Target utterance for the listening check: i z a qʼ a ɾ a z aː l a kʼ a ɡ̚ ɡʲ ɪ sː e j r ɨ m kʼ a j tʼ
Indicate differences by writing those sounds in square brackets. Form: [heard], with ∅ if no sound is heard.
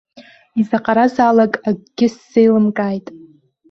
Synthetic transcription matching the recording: i z a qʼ a ɾ a z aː l a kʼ a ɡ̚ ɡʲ ɪ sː e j [l] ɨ m kʼ a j tʼ